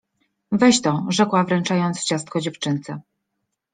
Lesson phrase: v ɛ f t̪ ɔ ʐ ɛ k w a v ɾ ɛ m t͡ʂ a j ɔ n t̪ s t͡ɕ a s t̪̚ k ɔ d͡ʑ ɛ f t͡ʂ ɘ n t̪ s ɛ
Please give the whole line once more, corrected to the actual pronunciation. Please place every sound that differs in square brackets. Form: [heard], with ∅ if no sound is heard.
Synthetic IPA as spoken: v ɛ [ɕ] t̪ ɔ ʐ ɛ k w a v ɾ ɛ [n] t͡ʂ a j ɔ n t̪ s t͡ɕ a s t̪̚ k ɔ d͡ʑ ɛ f t͡ʂ ɘ n t̪ s ɛ